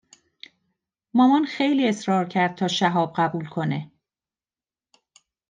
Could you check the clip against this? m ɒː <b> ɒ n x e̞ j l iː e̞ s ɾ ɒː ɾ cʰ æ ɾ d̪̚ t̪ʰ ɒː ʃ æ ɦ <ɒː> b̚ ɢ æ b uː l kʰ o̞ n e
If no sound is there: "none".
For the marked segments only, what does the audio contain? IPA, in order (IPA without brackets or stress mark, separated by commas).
m, ɒː